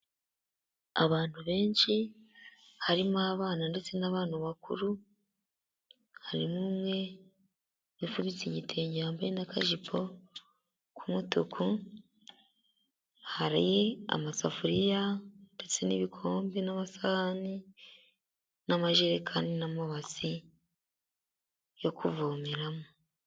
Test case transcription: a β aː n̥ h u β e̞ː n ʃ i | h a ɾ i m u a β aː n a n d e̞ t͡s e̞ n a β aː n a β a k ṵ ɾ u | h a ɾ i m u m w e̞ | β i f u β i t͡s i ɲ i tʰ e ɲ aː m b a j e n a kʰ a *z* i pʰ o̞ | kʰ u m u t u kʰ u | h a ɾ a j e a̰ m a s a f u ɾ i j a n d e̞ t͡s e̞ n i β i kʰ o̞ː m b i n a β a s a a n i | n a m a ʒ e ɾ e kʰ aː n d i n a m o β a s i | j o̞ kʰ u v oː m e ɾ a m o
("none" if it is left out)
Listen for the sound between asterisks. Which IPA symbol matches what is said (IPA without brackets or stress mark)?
ʒ